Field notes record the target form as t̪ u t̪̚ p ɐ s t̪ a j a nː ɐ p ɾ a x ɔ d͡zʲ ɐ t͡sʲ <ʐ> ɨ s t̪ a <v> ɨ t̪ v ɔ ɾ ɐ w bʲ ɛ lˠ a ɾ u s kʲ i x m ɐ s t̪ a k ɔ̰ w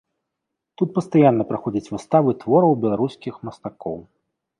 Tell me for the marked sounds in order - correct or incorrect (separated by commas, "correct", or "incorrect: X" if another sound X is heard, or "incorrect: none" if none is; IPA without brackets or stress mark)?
incorrect: v, correct